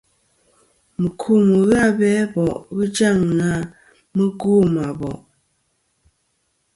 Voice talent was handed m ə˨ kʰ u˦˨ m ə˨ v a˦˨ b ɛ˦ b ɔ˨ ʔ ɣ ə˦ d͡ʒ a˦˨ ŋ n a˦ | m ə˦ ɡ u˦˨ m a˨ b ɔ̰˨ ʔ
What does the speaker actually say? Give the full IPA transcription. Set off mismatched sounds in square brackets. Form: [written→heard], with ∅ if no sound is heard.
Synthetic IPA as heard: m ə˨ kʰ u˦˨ m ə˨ [v→ɣ] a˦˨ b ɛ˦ b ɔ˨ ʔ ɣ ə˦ d͡ʒ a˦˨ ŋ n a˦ | m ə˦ ɡ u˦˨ m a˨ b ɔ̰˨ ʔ